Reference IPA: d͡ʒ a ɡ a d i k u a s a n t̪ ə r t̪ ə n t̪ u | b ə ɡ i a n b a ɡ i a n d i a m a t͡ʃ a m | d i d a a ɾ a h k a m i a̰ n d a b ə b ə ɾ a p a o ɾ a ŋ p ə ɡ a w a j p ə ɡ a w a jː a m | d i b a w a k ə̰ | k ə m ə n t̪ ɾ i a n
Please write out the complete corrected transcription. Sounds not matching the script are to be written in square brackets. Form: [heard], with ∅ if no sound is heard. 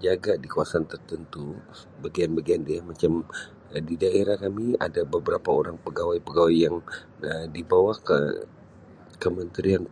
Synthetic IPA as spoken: d͡ʒ a ɡ a d i k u a s a n t̪ ə r t̪ ə n t̪ u | b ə ɡ i a n b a ɡ i a n d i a m a t͡ʃ a m | d i d a [e] ɾ a h k a m i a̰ [∅] d a b ə b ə ɾ a p a o ɾ a ŋ p ə ɡ a w a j p ə ɡ a w a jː a [ŋ] | d i b a w a k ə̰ | k ə m ə n t̪ ɾ i a n